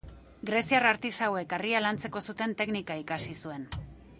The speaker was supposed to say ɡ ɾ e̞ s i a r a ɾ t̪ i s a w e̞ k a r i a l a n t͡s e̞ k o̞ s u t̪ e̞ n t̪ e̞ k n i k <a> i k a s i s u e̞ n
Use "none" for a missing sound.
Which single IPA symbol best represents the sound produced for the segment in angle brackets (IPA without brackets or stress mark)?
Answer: a